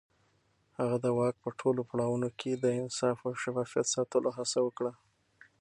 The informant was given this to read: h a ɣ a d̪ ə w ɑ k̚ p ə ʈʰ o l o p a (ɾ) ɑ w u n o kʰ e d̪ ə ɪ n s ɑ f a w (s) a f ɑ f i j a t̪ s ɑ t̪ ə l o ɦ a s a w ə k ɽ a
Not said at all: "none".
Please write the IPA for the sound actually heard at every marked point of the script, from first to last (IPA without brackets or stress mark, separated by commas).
ɽ, ʃ